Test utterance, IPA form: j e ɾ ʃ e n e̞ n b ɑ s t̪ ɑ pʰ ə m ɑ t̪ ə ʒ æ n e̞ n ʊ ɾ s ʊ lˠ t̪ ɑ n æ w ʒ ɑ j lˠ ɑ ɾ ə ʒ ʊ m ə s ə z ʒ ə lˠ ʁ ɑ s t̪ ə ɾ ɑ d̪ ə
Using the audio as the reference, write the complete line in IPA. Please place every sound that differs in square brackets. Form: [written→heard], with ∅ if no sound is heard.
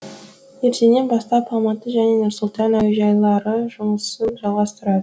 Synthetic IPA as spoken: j e ɾ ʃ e n e̞ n b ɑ s t̪ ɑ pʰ [ə→ɑ] m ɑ t̪ ə ʒ æ n e̞ n ʊ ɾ s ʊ lˠ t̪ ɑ n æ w ʒ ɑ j lˠ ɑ ɾ ə ʒ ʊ m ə s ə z ʒ [ə→ɑ] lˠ ʁ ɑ s t̪ ə ɾ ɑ d̪ ə

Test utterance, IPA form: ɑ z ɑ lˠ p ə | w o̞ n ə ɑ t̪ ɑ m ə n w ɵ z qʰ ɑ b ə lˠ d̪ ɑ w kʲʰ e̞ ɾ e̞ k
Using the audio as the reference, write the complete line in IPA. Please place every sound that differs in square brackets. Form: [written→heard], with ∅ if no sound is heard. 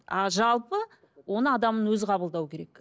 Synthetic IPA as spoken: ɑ [z→ʒ] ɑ lˠ p ə | w o̞ n ə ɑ [t̪→d̪] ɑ m ə n w ɵ z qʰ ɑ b ə lˠ d̪ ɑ w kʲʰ e̞ ɾ e̞ k

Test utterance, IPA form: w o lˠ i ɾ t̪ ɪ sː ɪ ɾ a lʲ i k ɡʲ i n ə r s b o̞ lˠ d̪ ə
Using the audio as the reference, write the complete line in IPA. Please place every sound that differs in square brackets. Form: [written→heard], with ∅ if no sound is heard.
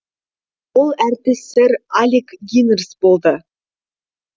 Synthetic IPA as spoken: w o lˠ [i→æ] ɾ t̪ ɪ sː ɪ ɾ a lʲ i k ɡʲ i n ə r s b o̞ lˠ d̪ ə

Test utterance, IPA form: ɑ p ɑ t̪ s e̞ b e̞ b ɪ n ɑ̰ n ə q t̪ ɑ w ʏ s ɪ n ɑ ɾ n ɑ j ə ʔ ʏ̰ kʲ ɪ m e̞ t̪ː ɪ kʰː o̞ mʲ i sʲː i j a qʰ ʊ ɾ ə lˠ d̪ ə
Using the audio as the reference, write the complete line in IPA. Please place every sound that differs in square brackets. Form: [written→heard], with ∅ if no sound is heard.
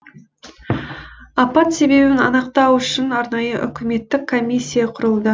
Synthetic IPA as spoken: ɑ p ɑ t̪ s e̞ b e̞ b ɪ n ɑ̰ n ə q t̪ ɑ w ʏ [s→ʃ] ɪ n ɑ ɾ n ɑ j ə ʔ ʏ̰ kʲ ɪ m e̞ t̪ː ɪ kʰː o̞ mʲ i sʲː i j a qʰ ʊ ɾ ə lˠ d̪ ə

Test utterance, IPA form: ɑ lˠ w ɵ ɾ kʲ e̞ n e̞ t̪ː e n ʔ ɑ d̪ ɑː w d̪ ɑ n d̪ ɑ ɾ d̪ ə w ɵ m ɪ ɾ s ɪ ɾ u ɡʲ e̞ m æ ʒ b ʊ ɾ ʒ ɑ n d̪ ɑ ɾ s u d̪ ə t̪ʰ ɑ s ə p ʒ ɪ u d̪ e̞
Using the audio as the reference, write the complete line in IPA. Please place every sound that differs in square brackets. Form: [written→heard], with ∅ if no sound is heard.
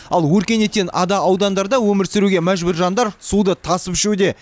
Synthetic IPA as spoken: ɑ lˠ w ɵ ɾ kʲ e̞ n e̞ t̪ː e n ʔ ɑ d̪ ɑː w d̪ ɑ n d̪ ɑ ɾ d̪ [ə→ɑ] w ɵ m ɪ ɾ s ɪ ɾ u ɡʲ e̞ m æ ʒ b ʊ ɾ ʒ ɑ n d̪ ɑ ɾ s u d̪ ə t̪ʰ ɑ s ə p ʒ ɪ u d̪ e̞

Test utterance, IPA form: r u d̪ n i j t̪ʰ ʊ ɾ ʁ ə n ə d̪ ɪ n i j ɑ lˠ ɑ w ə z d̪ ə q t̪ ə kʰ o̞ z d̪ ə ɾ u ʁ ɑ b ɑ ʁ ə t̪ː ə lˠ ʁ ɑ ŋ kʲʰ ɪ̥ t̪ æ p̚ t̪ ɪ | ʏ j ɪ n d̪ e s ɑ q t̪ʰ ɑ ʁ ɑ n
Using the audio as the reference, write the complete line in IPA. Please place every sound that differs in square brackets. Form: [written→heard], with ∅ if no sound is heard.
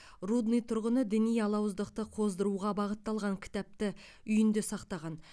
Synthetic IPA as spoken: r u d̪ n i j t̪ʰ ʊ ɾ ʁ ə n ə d̪ ɪ n i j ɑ lˠ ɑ w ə z d̪ ə q t̪ ə [kʰ→qʰ] o̞ z d̪ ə ɾ u ʁ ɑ b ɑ ʁ ə t̪ː [ə→ɑ] lˠ ʁ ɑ ŋ kʲʰ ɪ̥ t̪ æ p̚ t̪ ɪ | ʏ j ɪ n d̪ e s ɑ q [t̪ʰ→t̪] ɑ ʁ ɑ n

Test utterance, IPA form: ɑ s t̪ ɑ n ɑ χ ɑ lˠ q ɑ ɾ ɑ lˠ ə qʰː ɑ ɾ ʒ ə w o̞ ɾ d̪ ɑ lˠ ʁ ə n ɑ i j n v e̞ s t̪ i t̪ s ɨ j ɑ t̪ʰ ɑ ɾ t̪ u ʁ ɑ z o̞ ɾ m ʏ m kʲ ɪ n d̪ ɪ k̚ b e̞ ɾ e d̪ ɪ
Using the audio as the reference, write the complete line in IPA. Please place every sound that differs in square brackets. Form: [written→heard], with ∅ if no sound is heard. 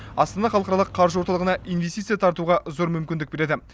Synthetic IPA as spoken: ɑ s t̪ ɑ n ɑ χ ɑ lˠ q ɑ ɾ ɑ lˠ ə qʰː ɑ ɾ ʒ ə w o̞ ɾ [d̪→t̪] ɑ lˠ ʁ ə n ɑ i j n v e̞ s t̪ i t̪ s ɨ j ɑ t̪ʰ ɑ ɾ t̪ u ʁ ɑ z o̞ ɾ m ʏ m kʲ ɪ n d̪ ɪ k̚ b e̞ ɾ e d̪ ɪ

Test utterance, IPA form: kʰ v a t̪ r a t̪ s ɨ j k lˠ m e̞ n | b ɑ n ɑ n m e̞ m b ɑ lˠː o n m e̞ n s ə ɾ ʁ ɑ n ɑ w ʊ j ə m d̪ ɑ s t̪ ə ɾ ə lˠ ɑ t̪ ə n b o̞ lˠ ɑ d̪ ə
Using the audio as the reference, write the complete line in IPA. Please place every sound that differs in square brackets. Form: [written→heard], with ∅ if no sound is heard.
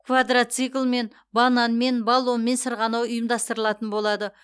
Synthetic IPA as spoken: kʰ v a [t̪→d̪] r a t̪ s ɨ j k lˠ m e̞ n | b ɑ n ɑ n m e̞ [m→n] b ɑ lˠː o n m e̞ n s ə ɾ ʁ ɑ n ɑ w ʊ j ə m d̪ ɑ s t̪ ə ɾ ə lˠ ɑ t̪ ə n b o̞ lˠ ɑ d̪ ə

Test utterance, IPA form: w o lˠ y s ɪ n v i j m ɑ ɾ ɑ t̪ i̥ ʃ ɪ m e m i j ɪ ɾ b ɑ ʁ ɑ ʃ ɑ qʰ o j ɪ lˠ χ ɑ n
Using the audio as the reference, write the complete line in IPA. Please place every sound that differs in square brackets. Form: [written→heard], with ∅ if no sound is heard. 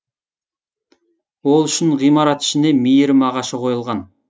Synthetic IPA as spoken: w o lˠ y [s→ʃ] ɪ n [v→ʁ] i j m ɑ ɾ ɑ t̪ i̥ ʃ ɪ [m→n] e m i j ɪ ɾ [b→m] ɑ ʁ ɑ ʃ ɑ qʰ o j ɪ lˠ [χ→ʁ] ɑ n

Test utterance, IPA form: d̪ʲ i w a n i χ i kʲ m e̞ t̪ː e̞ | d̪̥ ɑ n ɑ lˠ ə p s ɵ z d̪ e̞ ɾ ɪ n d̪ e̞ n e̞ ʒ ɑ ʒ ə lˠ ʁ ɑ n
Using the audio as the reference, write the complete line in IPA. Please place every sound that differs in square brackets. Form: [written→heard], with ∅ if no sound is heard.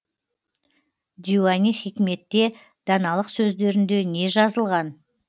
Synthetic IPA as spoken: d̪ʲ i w a n i χ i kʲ m e̞ t̪ː e̞ | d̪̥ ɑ n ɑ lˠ ə [p→q] s ɵ z d̪ e̞ ɾ ɪ n d̪ e̞ n e̞ ʒ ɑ [ʒ→z] ə lˠ ʁ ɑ n

